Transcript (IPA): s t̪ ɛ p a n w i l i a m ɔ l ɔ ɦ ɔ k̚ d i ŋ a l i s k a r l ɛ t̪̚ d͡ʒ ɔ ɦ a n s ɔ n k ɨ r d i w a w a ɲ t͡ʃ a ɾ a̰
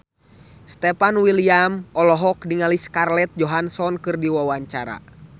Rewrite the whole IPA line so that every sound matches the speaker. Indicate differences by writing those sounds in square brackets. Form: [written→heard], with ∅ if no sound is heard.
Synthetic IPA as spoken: s t̪ ɛ p a n w i l i a m ɔ l ɔ ɦ ɔ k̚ d i ŋ a l i s k a r l ɛ t̪̚ d͡ʒ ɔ ɦ a n s ɔ n k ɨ r d i w a w a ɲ t͡ʃ a ɾ a̰

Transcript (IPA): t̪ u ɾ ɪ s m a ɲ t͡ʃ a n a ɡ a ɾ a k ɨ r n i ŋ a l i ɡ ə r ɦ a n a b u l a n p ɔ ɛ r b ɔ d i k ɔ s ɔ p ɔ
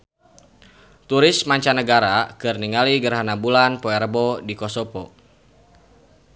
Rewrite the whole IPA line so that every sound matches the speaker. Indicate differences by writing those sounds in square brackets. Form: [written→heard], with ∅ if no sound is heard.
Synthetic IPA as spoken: t̪ u ɾ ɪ s m a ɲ t͡ʃ a n [a→ə] ɡ a ɾ a k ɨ r n i ŋ a l i ɡ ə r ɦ a n a b u l a n p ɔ ɛ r b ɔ d i k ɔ s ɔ p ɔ

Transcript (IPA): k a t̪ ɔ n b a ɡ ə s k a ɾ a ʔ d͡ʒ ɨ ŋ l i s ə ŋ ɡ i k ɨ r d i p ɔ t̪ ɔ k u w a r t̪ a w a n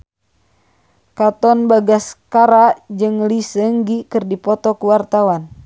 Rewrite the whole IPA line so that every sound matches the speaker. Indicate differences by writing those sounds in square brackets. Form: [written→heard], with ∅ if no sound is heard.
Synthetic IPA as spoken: k a t̪ ɔ n b a ɡ [ə→a] s k a ɾ a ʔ d͡ʒ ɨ ŋ l i s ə ŋ ɡ i k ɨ r d i p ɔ t̪ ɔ k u w a r t̪ a w a n

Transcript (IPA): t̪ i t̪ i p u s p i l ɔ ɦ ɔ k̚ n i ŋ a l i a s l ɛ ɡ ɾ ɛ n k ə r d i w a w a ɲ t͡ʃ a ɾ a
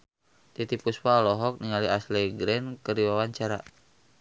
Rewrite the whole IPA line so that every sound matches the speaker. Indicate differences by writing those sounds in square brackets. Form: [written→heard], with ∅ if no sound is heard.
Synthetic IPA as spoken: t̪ i t̪ i p u s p [i→a] l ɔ ɦ ɔ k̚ n i ŋ a l i a s l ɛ ɡ ɾ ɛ n k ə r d i w a w a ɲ t͡ʃ a ɾ a

